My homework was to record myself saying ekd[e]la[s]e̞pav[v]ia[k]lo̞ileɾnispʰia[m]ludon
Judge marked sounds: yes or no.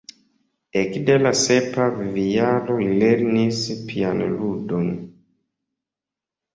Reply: yes, yes, yes, no, no

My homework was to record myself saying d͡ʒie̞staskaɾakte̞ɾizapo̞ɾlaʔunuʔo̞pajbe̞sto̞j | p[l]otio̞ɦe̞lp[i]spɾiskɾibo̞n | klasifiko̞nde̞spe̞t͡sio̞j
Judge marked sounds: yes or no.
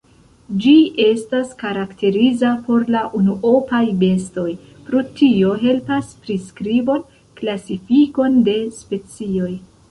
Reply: no, no

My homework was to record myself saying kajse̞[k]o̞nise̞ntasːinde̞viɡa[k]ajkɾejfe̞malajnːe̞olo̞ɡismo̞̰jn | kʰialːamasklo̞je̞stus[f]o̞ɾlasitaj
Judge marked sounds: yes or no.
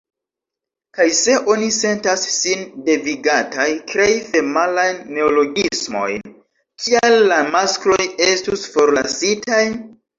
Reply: no, no, yes

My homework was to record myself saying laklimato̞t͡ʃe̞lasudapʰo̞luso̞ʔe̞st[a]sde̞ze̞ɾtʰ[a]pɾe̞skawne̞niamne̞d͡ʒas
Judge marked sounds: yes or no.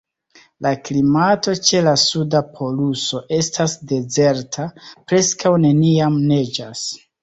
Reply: yes, yes

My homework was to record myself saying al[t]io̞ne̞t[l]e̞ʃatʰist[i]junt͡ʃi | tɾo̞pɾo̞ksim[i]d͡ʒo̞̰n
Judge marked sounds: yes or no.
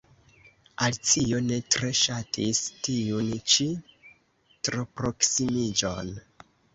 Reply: no, no, yes, yes

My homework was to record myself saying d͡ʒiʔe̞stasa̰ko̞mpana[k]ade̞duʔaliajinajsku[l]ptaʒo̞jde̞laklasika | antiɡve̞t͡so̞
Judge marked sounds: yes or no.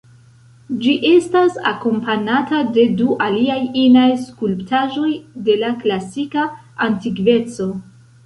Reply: no, yes

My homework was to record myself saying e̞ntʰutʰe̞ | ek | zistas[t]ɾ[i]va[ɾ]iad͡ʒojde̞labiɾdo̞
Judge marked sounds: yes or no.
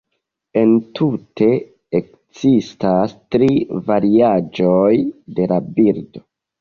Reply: yes, yes, yes

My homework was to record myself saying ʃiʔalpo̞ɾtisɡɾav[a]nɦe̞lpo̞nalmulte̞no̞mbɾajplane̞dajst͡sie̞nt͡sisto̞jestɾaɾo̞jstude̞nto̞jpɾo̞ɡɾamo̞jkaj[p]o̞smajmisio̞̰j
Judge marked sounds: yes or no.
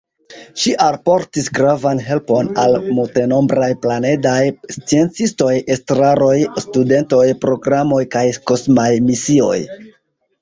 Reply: yes, no

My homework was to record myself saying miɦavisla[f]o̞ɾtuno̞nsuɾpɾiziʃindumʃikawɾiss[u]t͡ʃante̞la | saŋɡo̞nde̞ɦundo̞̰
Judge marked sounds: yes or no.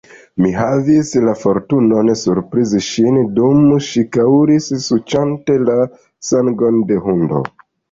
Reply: yes, yes

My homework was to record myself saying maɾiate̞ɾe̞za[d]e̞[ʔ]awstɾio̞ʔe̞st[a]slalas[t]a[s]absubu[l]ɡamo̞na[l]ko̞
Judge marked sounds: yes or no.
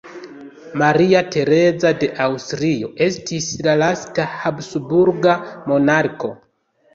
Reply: yes, yes, no, yes, no, no, no

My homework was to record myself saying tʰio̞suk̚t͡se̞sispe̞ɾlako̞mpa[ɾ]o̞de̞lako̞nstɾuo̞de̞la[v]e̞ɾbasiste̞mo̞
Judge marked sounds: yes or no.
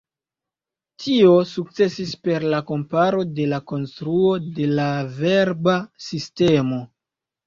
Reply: yes, yes

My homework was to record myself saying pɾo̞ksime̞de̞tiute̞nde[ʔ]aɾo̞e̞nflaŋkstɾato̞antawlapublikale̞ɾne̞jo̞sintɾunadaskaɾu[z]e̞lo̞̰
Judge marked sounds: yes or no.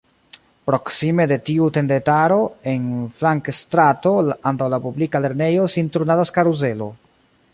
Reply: no, yes

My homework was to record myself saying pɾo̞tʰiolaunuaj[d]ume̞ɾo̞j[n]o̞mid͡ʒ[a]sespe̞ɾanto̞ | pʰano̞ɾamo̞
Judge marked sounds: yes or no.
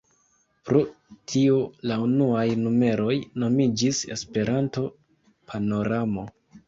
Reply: no, yes, no

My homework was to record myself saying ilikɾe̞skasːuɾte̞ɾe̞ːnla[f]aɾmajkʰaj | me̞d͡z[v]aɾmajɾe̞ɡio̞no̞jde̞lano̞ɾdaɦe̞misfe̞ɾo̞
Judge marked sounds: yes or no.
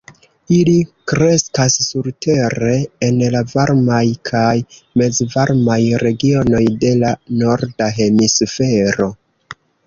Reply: no, yes

